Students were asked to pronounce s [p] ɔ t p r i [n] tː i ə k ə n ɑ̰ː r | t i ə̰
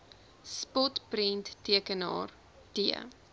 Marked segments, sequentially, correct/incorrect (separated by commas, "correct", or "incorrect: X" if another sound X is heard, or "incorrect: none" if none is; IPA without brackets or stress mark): correct, correct